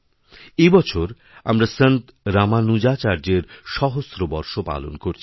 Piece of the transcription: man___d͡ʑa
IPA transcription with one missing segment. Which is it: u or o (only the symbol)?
u